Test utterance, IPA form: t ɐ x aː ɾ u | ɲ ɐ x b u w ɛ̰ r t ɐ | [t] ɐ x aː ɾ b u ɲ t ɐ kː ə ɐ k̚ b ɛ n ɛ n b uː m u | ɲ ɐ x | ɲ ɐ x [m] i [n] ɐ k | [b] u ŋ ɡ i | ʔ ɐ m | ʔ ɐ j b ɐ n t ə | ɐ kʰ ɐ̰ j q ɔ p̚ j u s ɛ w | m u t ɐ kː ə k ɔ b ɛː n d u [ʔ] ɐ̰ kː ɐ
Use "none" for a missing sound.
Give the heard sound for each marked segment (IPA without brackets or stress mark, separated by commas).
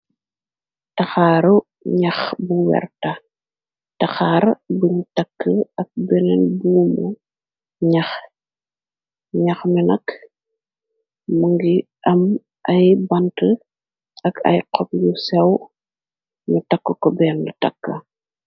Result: t, m, n, m, t